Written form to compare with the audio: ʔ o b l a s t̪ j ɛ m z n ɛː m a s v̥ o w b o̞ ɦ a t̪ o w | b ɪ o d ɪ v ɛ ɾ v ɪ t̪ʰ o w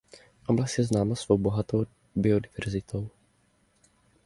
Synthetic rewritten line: ʔ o b l a s t̪ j ɛ z n aː m a s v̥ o w b o̞ ɦ a t̪ o w | b ɪ o d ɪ v ɛ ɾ z ɪ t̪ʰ o w